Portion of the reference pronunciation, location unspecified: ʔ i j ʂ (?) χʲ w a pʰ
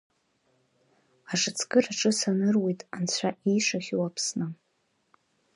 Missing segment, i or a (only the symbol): a